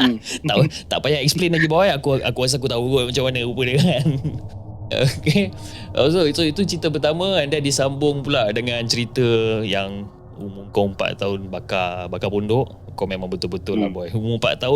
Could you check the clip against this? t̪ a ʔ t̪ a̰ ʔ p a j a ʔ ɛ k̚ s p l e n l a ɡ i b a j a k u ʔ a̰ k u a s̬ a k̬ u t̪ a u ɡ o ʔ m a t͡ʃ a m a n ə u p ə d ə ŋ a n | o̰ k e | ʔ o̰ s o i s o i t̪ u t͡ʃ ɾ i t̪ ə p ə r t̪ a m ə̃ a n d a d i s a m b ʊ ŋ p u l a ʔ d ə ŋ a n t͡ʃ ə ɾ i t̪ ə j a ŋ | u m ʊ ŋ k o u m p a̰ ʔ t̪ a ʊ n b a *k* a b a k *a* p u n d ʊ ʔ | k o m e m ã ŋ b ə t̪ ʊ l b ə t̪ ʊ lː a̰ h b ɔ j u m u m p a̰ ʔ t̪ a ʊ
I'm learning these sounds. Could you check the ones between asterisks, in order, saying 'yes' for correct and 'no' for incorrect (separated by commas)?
yes, yes